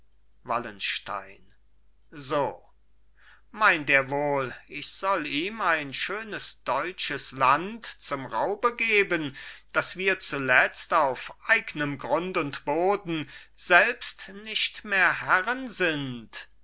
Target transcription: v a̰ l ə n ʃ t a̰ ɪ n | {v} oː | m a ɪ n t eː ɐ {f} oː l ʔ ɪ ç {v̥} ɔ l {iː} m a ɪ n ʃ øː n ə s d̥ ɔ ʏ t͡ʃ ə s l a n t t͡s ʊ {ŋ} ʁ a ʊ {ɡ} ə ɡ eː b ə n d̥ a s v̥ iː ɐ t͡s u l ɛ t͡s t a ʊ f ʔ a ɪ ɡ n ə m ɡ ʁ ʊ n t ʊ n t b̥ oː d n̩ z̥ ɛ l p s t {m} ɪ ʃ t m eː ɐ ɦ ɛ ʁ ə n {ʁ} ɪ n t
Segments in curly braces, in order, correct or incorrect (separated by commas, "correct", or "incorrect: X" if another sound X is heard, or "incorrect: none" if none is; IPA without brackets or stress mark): incorrect: z, incorrect: v, incorrect: z̥, correct, incorrect: m, incorrect: b, incorrect: n, incorrect: z